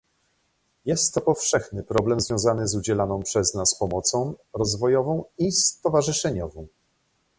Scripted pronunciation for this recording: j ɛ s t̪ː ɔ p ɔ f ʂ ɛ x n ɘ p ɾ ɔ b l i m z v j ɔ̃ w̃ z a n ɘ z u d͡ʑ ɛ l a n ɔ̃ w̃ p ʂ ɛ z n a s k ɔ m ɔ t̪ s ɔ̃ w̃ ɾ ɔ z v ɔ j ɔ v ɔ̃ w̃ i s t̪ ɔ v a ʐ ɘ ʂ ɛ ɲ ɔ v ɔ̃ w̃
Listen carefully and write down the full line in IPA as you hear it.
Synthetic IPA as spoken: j ɛ s t̪ː ɔ p ɔ f ʂ ɛ x n ɘ p ɾ ɔ b l ɛ m z v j ɔ̃ w̃ z a n ɘ z u d͡ʑ ɛ l a n ɔ̃ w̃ p ʂ ɛ z n a s p ɔ m ɔ t̪ s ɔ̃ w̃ ɾ ɔ z v ɔ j ɔ v ɔ̃ w̃ i s t̪ ɔ v a ʐ ɘ ʂ ɛ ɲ ɔ v ɔ̃ w̃